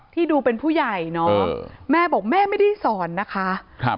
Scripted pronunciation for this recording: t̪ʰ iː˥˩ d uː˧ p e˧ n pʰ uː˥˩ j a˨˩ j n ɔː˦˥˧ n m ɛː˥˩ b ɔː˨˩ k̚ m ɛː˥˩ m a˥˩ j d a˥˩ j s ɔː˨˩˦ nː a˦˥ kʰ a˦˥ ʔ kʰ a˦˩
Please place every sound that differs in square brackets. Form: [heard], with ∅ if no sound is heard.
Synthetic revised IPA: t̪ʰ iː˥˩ d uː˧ p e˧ n pʰ uː˥˩ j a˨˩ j n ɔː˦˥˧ [∅] m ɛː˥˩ b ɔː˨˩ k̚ m ɛː˥˩ m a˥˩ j d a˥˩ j s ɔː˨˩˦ nː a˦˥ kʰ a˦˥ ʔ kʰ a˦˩